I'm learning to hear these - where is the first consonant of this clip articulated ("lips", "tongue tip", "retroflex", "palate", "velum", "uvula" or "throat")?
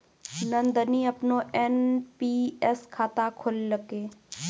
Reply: tongue tip